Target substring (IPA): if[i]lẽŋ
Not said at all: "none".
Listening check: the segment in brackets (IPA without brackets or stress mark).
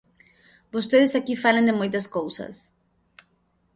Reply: a